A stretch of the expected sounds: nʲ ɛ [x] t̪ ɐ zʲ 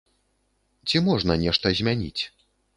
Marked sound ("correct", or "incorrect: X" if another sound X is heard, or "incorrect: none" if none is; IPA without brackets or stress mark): incorrect: ʂ